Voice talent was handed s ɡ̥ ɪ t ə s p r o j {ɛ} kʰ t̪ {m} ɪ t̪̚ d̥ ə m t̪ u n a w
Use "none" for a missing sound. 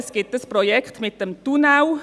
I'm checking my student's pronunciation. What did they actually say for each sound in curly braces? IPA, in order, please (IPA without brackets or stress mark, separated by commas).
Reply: ɛ, m